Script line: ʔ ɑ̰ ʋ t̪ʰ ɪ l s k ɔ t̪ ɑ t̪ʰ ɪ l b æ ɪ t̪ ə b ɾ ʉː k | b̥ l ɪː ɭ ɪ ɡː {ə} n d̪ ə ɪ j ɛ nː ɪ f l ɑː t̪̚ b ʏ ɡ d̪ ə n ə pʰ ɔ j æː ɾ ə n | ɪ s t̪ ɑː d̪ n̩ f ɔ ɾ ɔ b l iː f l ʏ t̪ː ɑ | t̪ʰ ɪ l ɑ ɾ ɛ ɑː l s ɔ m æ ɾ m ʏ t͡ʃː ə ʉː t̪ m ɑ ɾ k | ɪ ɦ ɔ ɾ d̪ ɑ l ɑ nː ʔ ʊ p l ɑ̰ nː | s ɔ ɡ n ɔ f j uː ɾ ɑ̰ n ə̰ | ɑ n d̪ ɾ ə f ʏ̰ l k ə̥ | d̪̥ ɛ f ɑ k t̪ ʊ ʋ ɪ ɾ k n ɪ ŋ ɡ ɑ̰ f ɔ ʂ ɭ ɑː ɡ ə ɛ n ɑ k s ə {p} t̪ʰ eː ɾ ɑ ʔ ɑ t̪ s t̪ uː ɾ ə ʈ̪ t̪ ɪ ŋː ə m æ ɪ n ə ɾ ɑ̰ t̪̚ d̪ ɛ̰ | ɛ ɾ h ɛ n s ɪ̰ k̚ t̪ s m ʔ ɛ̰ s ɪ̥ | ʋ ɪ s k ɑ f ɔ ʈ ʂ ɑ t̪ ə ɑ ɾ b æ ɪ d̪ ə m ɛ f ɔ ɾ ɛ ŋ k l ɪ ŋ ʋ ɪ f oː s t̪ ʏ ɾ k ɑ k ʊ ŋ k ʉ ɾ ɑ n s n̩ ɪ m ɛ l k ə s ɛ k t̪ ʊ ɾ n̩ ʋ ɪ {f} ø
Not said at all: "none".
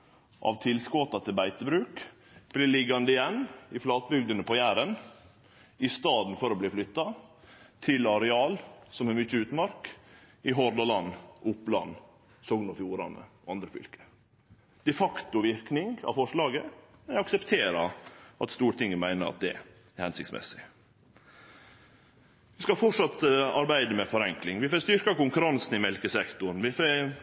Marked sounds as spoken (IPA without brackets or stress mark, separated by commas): ɑ, p, f